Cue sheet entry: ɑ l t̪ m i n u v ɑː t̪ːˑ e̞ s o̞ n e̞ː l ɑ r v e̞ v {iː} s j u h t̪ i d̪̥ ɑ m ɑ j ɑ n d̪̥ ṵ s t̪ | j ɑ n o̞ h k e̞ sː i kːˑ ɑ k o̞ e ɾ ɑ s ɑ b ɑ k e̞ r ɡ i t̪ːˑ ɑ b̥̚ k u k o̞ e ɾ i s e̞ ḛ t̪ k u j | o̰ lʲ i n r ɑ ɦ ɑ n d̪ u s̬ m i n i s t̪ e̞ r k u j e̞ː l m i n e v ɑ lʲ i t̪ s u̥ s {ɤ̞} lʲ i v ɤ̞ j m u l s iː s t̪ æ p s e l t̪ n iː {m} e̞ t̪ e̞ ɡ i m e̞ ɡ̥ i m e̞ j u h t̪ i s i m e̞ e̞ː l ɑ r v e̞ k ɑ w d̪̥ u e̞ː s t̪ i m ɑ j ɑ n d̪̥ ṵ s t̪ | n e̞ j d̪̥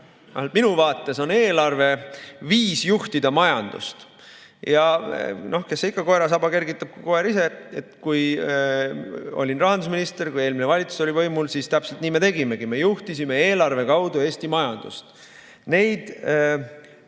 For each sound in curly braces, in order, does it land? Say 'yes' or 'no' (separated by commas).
yes, no, yes